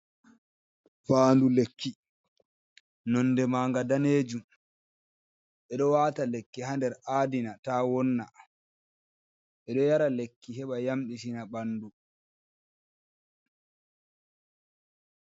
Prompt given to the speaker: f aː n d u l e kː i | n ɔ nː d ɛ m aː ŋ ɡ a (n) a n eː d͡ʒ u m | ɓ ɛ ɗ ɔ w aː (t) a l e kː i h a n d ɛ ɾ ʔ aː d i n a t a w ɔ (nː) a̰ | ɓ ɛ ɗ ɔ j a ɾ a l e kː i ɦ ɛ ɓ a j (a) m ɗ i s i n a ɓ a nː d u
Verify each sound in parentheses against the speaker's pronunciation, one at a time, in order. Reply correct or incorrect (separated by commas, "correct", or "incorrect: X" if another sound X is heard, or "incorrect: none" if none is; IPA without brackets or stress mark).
incorrect: d, correct, correct, correct